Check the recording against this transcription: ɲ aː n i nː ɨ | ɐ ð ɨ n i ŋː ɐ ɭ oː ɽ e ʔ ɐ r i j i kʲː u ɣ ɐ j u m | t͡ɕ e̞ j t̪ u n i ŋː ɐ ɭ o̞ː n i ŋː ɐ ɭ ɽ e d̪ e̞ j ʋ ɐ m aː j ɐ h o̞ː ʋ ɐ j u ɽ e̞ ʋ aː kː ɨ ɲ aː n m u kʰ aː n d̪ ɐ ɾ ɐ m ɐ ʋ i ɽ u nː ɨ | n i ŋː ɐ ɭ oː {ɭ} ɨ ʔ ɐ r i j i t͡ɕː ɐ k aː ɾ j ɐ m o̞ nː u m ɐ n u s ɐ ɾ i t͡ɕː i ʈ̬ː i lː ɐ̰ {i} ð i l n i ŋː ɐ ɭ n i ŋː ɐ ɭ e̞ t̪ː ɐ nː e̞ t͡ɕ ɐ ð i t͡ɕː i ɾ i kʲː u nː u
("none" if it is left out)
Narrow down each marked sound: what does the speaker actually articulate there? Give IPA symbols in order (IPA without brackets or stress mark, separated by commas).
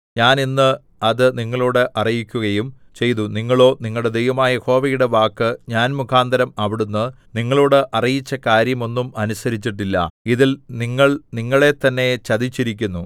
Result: ɽ, i